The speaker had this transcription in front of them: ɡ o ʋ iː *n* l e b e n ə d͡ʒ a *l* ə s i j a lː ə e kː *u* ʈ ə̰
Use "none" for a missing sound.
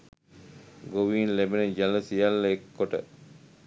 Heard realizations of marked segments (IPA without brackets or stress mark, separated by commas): n, l, o